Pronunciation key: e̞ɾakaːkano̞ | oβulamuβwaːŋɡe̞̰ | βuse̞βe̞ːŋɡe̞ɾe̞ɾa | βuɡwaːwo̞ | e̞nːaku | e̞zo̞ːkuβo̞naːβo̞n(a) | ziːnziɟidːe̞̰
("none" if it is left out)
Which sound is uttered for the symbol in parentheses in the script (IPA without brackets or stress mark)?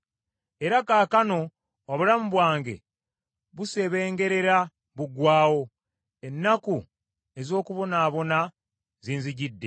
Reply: a